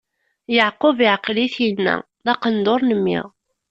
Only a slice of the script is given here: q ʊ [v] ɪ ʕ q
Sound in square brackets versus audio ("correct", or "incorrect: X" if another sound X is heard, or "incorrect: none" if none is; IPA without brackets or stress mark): correct